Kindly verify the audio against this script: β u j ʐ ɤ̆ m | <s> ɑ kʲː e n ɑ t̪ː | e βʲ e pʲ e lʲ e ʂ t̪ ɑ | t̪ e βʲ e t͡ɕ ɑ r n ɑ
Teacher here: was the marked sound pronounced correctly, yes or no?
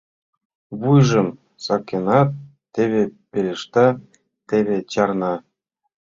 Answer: yes